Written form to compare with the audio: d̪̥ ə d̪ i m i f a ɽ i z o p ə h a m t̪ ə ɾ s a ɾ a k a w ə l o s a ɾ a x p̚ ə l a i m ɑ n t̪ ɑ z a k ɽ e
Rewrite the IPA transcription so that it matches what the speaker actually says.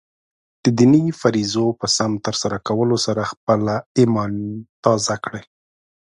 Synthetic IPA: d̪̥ ə d̪ i n i f a ɾ i z o p ə s a m t̪ ə ɾ s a ɾ a k a w ə l o s a ɾ a x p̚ ə l a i m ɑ n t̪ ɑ z a k ɽ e